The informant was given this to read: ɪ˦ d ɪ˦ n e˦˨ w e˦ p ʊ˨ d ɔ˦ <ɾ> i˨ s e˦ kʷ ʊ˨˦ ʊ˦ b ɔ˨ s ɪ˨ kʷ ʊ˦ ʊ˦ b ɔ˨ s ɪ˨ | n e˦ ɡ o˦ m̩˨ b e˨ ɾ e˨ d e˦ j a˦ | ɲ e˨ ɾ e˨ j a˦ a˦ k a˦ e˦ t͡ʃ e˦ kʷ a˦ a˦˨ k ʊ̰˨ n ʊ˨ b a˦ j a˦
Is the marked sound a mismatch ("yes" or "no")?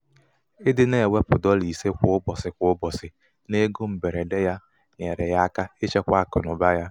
yes